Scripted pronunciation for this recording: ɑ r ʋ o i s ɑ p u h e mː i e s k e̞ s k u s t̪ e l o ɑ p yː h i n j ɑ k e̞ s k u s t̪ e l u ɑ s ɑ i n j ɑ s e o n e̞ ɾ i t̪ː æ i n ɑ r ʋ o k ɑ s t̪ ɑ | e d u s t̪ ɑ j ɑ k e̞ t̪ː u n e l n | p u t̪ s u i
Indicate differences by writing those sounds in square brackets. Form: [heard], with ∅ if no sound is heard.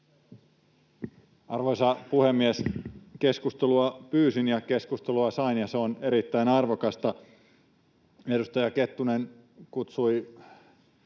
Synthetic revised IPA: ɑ r ʋ o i s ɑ p u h e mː i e s k e̞ s k u s t̪ e l [u] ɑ p yː [s] i n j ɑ k e̞ s k u s t̪ e l u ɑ s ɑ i n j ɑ s e o n e̞ ɾ i t̪ː æ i n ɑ r ʋ o k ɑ s t̪ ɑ | e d u s t̪ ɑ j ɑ k e̞ t̪ː u n e [∅] n | [k] u t̪ s u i